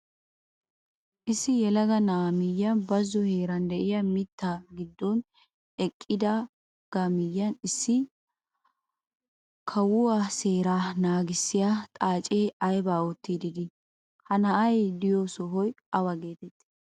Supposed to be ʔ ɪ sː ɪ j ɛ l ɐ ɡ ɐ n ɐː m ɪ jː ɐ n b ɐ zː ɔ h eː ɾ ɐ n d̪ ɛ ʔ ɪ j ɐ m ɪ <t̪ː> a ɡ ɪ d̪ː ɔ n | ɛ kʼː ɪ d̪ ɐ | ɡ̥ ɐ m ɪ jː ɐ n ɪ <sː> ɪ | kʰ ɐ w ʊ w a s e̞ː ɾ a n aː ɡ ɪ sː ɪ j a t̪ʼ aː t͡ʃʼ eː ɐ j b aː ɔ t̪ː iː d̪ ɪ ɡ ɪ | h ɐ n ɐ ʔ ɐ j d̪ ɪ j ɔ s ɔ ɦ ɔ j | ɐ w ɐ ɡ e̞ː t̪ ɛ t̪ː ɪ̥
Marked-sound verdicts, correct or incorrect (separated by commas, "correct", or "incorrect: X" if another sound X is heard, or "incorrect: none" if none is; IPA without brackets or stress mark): correct, correct